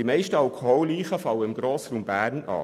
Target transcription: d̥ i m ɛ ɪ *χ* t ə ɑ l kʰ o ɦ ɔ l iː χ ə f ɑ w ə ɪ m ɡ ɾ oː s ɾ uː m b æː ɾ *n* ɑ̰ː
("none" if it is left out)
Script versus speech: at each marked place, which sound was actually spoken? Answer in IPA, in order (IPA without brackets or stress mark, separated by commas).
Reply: ʃ, n